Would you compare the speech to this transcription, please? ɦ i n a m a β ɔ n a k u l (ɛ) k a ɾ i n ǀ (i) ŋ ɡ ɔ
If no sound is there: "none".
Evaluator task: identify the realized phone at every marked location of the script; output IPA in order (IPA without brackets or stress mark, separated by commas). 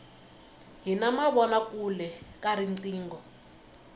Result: ɛ, iː